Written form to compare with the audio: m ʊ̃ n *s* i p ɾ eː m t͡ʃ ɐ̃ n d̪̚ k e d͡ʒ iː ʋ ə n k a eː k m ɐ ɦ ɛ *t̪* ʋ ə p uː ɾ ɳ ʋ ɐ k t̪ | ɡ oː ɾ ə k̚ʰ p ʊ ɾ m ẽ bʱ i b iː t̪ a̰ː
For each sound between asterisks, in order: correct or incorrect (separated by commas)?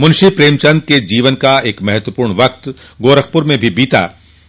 incorrect, correct